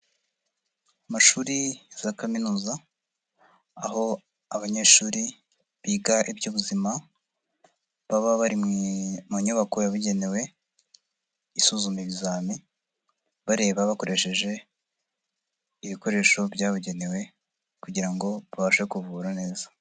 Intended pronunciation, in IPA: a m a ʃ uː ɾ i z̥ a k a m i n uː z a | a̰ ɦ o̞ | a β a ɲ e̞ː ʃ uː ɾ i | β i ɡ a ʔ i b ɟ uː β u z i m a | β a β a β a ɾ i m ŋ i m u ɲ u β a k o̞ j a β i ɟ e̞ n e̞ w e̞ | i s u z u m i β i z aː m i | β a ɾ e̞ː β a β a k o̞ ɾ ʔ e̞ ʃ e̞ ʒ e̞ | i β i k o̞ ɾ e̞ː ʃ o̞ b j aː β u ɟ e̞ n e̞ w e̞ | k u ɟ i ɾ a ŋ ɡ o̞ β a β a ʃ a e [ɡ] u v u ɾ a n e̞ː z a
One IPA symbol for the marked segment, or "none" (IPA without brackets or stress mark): k